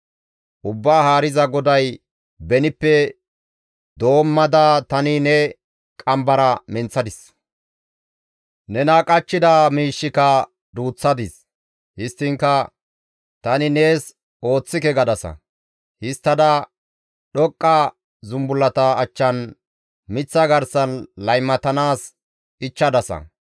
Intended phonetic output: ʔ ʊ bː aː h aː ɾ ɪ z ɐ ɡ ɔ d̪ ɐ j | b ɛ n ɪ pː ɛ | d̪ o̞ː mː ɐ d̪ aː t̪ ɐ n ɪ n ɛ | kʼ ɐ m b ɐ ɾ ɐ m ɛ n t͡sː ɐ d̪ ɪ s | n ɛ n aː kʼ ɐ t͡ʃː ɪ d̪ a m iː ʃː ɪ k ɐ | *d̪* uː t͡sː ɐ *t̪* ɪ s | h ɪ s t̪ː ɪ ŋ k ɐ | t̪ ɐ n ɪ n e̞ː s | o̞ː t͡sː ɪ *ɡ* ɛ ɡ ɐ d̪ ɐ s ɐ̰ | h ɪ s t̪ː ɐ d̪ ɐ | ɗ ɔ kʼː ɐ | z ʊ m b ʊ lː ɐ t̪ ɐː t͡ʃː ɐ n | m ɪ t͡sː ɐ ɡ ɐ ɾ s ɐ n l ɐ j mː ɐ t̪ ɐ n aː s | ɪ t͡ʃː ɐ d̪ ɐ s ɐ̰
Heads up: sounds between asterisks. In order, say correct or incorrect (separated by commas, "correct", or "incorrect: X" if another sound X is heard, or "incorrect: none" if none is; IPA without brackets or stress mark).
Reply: correct, incorrect: d̪, incorrect: k